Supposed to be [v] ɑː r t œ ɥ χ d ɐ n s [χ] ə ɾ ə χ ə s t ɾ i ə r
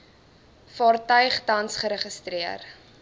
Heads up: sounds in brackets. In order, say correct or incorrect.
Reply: incorrect, correct

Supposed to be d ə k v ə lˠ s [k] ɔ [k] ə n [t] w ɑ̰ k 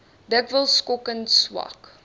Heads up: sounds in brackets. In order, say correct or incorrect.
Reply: correct, correct, incorrect

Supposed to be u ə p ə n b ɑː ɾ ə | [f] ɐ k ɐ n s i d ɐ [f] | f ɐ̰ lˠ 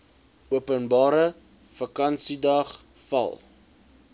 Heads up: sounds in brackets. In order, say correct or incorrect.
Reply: correct, incorrect

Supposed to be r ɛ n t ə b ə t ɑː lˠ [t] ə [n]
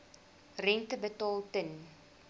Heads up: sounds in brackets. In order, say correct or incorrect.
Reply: correct, correct

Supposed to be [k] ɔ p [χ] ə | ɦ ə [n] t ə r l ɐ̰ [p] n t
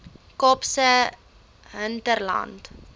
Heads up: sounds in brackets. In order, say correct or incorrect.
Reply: correct, incorrect, correct, incorrect

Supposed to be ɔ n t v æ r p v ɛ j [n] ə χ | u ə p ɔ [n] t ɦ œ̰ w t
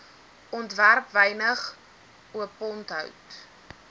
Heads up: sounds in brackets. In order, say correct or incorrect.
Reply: correct, correct

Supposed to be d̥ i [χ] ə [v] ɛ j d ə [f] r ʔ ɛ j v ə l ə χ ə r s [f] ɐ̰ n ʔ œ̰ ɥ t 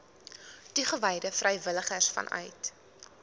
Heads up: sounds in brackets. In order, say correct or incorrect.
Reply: correct, correct, correct, correct

